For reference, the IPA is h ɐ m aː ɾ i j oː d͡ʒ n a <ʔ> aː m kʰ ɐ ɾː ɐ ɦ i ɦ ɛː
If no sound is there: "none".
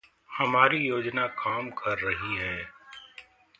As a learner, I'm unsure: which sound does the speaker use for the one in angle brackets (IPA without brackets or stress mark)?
k